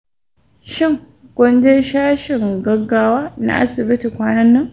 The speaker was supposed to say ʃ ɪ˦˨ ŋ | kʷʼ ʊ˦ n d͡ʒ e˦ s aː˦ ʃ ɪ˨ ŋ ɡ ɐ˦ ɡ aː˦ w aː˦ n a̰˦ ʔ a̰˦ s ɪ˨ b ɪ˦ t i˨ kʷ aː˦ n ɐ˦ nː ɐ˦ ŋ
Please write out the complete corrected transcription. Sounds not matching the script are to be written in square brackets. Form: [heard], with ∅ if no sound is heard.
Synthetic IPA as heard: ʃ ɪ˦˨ ŋ | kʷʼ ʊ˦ n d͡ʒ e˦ [ʃ] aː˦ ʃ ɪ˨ ŋ ɡ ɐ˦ ɡ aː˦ w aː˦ n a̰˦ ʔ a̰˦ s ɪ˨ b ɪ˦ t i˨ kʷ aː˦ n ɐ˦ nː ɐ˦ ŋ